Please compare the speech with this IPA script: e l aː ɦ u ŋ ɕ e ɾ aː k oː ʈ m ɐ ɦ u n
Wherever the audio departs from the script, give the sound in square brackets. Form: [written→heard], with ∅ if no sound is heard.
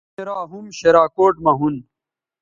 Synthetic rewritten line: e [l→ɾ] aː ɦ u [ŋ→m] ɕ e ɾ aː k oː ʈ m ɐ ɦ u n